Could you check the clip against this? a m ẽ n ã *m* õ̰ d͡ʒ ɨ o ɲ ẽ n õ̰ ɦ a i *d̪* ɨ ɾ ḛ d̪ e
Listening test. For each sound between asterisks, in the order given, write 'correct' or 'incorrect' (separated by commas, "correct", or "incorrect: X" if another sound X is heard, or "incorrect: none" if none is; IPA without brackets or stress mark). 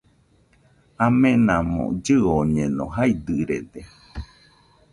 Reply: correct, correct